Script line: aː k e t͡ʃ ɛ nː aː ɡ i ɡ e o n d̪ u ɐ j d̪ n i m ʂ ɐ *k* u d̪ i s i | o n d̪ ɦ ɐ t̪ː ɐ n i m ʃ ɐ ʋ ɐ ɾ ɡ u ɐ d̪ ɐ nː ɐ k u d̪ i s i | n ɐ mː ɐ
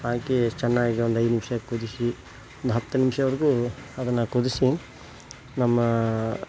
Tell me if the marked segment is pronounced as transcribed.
yes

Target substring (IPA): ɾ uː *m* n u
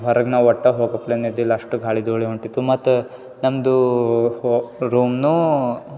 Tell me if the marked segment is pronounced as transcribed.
yes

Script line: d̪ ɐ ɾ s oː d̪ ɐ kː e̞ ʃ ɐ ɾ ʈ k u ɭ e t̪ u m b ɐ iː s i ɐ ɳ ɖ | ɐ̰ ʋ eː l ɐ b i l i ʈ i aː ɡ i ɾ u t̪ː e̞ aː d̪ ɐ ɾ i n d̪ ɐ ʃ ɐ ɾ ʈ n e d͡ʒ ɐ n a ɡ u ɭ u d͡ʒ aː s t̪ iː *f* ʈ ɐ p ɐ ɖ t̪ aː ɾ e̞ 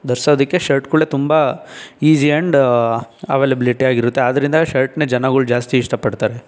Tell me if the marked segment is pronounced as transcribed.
no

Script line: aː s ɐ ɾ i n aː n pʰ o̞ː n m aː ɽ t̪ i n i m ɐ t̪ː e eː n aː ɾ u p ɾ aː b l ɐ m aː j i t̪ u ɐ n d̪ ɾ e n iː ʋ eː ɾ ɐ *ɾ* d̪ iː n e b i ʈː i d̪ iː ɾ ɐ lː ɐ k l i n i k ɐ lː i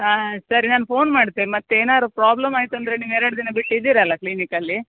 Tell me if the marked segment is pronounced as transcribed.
no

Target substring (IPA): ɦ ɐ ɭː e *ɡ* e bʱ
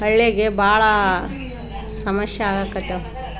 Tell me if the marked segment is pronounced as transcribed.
yes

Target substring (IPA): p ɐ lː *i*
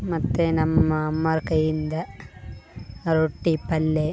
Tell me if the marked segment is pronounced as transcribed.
no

